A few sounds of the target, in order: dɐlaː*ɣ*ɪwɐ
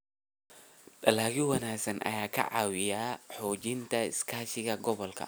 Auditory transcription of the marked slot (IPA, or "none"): ɣ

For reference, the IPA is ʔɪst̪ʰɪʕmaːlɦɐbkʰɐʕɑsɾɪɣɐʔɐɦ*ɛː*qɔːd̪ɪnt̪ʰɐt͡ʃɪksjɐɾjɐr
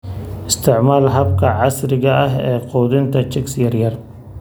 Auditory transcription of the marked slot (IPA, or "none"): ɛː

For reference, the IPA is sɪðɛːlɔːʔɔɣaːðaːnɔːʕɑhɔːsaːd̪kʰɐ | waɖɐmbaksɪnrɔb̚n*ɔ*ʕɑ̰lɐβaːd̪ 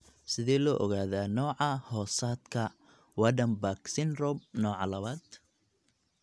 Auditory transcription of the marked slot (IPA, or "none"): ɔː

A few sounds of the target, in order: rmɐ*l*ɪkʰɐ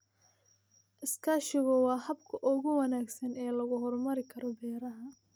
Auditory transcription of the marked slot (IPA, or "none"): ɾ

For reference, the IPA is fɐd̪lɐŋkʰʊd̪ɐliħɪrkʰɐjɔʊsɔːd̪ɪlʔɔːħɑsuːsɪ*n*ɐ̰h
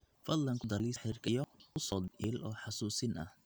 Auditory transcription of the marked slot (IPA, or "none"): n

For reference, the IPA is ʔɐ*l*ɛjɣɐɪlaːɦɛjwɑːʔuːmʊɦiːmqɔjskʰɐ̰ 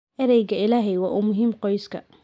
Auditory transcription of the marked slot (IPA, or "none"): ɾ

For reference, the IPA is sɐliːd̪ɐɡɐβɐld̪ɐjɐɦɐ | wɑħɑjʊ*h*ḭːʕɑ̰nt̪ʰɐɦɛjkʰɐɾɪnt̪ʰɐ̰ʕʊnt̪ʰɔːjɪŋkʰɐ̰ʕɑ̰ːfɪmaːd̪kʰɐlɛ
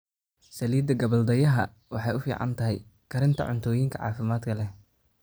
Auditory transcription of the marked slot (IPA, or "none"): f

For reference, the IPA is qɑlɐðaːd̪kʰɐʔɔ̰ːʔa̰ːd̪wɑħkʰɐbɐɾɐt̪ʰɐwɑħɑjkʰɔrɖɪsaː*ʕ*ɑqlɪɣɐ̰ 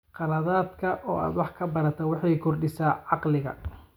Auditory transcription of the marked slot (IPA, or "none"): ʕ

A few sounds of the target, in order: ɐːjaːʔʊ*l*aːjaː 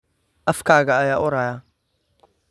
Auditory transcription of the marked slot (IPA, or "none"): ɾ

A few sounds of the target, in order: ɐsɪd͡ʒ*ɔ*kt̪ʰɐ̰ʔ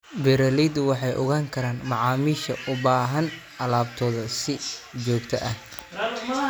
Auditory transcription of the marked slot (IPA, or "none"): ɔː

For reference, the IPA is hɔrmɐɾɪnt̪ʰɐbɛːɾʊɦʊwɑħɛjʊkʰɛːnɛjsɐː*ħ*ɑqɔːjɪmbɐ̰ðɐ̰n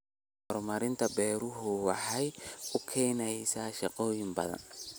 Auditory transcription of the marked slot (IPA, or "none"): ʃ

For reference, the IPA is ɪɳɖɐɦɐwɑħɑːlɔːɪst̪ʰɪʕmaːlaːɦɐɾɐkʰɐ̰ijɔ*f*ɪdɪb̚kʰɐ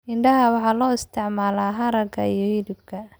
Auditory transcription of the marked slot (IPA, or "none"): h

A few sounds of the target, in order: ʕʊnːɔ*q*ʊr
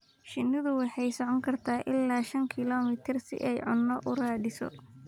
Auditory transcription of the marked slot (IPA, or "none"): ʔ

